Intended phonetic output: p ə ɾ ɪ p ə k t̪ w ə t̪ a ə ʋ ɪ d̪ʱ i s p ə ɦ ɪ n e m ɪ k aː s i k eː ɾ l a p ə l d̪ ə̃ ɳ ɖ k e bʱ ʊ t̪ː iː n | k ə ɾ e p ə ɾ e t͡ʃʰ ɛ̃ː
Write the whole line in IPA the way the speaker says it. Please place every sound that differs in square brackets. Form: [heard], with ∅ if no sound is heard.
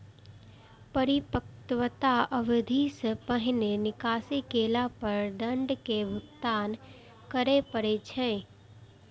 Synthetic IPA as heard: p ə ɾ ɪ p ə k t̪ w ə t̪ a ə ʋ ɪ d̪ʱ i s p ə ɦ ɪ n e [n] ɪ k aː s i k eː [∅] l a p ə [ɾ] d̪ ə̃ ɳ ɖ k e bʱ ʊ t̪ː [aː] n | k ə ɾ e p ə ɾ e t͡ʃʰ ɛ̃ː

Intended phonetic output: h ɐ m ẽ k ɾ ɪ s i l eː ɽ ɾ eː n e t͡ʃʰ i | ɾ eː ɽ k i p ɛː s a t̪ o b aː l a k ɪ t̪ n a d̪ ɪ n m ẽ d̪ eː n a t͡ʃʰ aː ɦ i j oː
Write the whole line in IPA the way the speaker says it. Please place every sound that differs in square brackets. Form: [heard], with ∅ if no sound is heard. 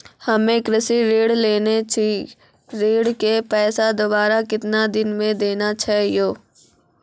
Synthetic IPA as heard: h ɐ m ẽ k ɾ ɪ s i [ɾ] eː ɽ [l] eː n e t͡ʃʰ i | ɾ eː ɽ k [e] p ɛː s a [d̪] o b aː [ɾ] a k ɪ t̪ n a d̪ ɪ n m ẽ d̪ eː n a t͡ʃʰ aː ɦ i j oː

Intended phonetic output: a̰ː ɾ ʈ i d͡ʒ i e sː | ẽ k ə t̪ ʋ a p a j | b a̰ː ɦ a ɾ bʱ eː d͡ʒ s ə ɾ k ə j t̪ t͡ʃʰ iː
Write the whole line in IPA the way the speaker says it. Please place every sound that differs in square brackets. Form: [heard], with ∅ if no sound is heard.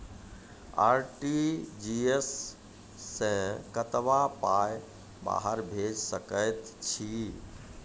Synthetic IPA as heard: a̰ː ɾ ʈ i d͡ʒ i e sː | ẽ k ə t̪ ʋ a p a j | b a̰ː ɦ [ə] ɾ bʱ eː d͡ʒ s ə [∅] k ə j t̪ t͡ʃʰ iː

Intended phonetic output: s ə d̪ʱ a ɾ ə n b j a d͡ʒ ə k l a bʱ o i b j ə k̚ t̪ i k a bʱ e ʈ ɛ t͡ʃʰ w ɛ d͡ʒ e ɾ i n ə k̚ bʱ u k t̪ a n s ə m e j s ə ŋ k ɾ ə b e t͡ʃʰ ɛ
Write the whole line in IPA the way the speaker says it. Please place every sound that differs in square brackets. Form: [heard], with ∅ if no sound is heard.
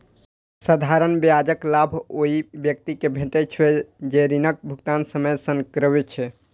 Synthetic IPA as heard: s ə d̪ʱ a ɾ ə n b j a d͡ʒ ə k l a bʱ o i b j ə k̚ t̪ i k [e] bʱ e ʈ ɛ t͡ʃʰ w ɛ d͡ʒ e ɾ i n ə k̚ bʱ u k t̪ a n s ə m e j s ə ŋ k ɾ ə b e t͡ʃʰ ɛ

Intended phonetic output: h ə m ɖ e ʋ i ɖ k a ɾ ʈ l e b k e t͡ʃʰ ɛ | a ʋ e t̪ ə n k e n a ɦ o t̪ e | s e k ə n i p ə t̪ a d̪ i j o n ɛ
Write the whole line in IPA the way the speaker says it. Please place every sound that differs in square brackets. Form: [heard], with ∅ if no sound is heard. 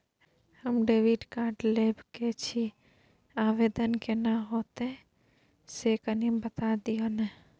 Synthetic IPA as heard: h ə m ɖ e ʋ i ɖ k a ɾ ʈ l e b k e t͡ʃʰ [i] | a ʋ e [d̪] ə n k e n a ɦ o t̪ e | s e k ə n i [b] ə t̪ a d̪ i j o n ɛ

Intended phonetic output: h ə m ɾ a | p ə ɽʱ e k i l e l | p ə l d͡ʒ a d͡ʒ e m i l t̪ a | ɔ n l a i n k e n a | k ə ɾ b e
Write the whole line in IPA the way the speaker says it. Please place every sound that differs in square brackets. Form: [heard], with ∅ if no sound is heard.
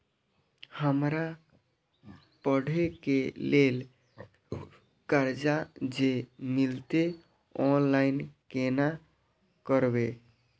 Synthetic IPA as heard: h ə m ɾ a | p ə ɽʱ e k [e] l e l | [k] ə [ɾ] d͡ʒ a d͡ʒ e m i l t̪ [e] | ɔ n l a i n k e n a | k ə ɾ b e

